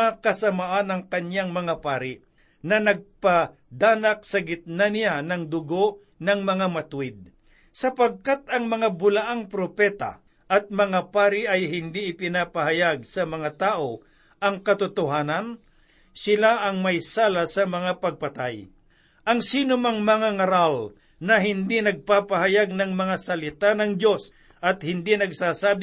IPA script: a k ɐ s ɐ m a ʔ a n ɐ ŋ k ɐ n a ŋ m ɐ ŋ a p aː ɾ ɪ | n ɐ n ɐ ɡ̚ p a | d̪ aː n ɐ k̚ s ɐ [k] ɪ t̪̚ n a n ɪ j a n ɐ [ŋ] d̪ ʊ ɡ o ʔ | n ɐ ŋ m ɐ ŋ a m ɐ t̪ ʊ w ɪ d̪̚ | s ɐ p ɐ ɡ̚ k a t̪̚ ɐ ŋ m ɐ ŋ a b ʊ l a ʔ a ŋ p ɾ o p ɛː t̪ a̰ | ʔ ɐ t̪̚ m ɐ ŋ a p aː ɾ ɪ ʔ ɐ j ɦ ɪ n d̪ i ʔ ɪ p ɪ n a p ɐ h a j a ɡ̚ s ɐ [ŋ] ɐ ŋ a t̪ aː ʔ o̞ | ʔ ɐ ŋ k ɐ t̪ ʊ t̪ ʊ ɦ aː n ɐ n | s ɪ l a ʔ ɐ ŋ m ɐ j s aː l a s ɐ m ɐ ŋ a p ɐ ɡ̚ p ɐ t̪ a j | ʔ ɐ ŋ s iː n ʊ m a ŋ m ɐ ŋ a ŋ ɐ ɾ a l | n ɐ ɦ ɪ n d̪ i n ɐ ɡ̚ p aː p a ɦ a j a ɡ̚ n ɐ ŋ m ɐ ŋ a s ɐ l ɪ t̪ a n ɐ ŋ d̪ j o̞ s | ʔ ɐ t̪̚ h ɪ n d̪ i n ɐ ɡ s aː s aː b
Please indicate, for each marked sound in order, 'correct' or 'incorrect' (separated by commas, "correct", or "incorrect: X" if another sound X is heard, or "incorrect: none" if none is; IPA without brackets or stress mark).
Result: incorrect: ɡ, correct, incorrect: m